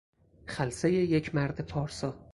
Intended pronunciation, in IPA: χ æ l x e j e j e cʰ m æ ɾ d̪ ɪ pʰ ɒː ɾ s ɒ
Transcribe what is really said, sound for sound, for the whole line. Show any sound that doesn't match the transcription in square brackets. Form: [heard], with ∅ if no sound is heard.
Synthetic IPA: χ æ l [s] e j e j e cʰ m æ ɾ d̪ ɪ pʰ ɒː ɾ s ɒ